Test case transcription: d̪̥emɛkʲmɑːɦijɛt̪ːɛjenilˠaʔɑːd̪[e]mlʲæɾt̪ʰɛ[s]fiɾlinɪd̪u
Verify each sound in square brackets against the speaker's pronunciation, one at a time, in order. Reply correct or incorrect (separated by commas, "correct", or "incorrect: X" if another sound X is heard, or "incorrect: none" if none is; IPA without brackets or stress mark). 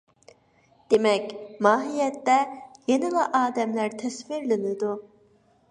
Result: incorrect: ɛ, correct